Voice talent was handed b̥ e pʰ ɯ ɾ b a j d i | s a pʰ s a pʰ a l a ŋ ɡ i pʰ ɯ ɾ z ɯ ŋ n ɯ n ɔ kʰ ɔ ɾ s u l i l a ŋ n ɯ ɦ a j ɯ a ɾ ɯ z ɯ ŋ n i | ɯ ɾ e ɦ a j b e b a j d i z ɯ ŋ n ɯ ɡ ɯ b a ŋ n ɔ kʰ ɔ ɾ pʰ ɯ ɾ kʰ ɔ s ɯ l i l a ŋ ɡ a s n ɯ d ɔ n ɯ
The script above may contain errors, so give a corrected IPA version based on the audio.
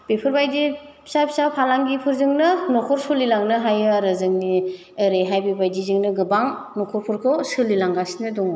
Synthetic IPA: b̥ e pʰ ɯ ɾ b a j d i | s a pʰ s a pʰ a l a ŋ ɡ i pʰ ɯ ɾ z ɯ ŋ n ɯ n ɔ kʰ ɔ ɾ s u l i l a ŋ n ɯ ɦ a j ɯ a ɾ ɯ z ɯ ŋ n i | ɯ ɾ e ɦ a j b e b a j d i z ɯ ŋ n ɯ ɡ ɯ b a ŋ n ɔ kʰ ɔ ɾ pʰ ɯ ɾ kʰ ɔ s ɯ l i l a ŋ ɡ a s n ɯ d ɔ ŋ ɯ